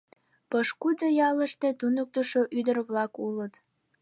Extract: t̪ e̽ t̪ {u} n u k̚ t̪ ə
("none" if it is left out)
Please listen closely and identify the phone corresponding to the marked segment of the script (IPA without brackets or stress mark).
u